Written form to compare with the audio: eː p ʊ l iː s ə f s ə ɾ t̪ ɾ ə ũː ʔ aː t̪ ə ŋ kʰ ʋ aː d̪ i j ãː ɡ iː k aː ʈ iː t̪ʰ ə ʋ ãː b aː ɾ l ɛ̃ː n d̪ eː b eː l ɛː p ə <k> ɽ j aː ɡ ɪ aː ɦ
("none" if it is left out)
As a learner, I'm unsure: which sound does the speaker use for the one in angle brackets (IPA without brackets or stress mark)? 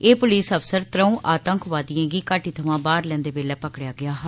k